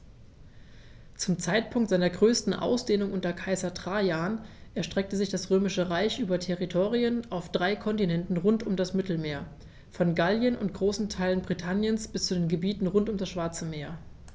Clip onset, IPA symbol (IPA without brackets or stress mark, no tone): t͡s